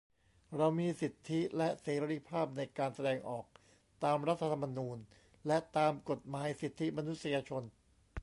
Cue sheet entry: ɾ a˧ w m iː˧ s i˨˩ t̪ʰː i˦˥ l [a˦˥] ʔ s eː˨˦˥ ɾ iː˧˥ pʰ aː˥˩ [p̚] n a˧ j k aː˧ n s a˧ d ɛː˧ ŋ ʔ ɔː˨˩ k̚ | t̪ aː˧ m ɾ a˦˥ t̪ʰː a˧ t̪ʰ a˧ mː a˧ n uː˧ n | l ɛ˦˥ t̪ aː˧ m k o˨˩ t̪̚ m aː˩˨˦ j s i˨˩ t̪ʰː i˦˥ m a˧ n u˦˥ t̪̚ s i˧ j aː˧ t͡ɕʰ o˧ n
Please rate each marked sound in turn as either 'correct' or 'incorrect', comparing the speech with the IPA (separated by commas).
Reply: incorrect, correct